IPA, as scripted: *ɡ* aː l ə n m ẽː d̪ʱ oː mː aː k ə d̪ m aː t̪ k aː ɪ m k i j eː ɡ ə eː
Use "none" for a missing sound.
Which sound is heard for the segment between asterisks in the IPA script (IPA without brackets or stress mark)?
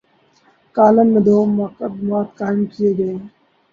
k